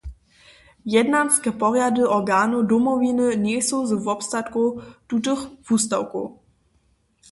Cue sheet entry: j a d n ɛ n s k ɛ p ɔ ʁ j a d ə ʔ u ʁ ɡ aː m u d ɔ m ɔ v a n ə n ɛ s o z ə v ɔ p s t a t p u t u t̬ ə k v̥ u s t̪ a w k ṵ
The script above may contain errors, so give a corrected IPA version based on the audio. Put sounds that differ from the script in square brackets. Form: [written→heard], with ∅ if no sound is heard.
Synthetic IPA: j [a→ɛ] d n [ɛ→a] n s k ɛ p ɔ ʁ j a d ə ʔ [u→ɔ] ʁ ɡ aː [m→n] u d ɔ m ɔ v [a→i] n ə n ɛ s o z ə v ɔ p s t a t [p→k] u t u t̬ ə [k→x] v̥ u s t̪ a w k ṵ